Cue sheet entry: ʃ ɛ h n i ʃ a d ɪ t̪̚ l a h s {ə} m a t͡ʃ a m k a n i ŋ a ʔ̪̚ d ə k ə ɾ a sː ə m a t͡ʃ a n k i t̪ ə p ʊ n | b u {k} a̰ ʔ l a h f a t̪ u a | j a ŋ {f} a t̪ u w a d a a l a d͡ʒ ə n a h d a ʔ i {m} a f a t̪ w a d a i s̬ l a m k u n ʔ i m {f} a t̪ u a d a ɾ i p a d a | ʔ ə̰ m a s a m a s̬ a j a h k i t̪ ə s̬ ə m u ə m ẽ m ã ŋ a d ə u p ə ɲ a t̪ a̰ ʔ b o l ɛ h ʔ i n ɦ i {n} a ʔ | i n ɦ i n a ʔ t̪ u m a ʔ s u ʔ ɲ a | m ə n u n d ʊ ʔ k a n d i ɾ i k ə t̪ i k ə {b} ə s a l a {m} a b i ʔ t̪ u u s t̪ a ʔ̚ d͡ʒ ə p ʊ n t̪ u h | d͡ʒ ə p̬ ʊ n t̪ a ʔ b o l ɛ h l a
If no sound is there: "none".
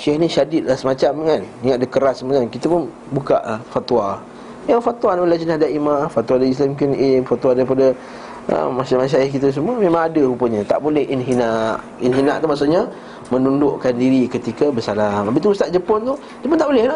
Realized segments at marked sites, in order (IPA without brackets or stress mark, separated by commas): ə, k, f, m, f, n, b, m